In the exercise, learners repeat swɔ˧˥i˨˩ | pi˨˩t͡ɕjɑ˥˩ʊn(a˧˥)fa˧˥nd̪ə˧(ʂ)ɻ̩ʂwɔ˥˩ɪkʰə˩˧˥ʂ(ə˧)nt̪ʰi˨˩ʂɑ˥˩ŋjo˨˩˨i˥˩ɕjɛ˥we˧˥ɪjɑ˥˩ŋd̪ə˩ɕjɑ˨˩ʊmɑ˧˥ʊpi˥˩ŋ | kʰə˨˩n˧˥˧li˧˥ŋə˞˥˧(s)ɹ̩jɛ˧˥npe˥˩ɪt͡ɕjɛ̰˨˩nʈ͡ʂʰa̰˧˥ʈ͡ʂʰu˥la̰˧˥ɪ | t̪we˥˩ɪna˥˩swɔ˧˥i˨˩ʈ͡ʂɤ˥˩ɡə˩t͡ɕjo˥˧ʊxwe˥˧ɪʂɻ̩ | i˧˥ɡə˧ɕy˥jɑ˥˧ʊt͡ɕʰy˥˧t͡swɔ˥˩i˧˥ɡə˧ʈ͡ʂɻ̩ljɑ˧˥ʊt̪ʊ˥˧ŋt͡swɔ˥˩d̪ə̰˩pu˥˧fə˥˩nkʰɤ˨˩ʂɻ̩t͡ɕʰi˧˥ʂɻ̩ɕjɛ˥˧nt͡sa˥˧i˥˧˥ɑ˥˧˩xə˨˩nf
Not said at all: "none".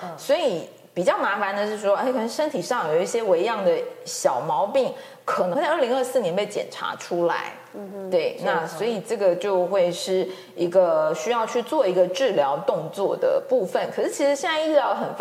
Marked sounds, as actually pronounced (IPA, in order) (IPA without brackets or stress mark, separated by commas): a˧˥, ʂ, ə˥, s